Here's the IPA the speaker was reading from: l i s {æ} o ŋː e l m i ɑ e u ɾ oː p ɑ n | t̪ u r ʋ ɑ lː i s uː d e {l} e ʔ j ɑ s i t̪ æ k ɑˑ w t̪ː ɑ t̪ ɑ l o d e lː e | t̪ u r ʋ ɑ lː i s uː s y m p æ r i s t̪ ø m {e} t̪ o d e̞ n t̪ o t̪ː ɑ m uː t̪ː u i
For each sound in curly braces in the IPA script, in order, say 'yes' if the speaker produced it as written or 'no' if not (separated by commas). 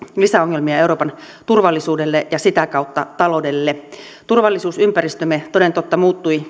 yes, no, yes